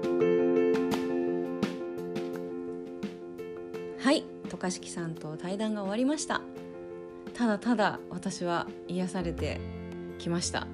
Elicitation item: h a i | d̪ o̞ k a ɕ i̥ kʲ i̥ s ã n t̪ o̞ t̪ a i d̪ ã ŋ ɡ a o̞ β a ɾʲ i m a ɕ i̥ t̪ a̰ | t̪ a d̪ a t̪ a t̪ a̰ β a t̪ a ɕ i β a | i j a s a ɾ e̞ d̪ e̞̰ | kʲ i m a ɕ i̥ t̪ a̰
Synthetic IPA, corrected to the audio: h a i | t̪ o̞ k a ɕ i̥ kʲ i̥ s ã n t̪ o̞ t̪ a i d̪ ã ŋ ɡ a o̞ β a ɾʲ i m a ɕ i̥ t̪ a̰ | t̪ a d̪ a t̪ a d̪ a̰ β a t̪ a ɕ i β a | i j a s a ɾ e̞ t̪ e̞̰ | kʲ i m a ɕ i̥ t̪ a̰